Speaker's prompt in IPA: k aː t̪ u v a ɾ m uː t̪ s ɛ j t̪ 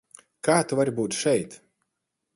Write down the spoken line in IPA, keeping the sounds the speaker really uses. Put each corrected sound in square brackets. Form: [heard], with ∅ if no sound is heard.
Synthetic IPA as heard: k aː t̪ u v a ɾ [b] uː t̪ [ʃ] ɛ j t̪